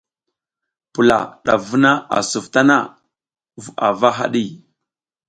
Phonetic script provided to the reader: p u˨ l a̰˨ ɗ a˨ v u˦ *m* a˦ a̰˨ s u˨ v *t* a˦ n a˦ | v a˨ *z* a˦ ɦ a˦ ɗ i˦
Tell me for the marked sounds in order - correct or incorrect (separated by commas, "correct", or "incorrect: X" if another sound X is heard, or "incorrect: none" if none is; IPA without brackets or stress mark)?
incorrect: n, correct, incorrect: v